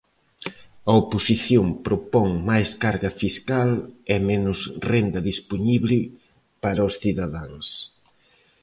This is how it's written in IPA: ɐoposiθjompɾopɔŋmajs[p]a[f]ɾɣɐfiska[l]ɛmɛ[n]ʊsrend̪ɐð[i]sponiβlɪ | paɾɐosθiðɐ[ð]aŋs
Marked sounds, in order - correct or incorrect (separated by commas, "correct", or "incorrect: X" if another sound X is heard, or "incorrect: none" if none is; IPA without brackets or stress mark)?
incorrect: k, incorrect: none, correct, correct, correct, correct